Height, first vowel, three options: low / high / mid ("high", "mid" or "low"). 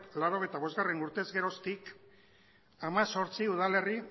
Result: low